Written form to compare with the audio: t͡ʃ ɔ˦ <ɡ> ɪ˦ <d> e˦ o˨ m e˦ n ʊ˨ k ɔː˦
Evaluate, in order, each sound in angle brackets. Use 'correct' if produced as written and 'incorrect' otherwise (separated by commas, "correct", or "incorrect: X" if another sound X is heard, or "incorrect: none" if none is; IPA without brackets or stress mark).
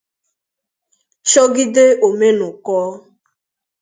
correct, correct